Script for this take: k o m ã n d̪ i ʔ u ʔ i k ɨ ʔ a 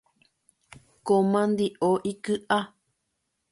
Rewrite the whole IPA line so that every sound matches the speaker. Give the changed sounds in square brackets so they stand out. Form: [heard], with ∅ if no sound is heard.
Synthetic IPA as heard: k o m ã n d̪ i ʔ [o] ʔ i k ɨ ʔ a